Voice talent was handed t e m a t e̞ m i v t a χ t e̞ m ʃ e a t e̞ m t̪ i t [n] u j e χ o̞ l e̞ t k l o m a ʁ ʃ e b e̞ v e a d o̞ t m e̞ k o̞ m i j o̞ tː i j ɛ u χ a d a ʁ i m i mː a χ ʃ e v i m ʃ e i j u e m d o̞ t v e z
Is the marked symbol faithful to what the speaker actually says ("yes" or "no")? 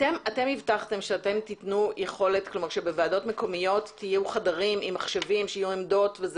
yes